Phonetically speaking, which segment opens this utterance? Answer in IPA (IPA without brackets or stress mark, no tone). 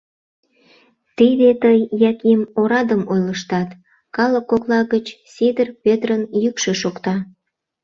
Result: t̪